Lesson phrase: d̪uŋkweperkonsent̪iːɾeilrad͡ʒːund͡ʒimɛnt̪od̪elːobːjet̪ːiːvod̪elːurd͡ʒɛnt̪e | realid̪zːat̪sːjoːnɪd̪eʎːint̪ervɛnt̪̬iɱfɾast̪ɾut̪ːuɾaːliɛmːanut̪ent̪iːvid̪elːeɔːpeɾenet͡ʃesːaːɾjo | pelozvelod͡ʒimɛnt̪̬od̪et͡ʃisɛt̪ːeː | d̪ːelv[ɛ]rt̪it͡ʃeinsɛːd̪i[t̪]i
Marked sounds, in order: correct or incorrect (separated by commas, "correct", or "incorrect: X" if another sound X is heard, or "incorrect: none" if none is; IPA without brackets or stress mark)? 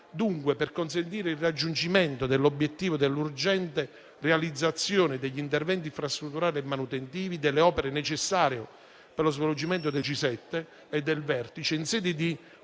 correct, incorrect: d̪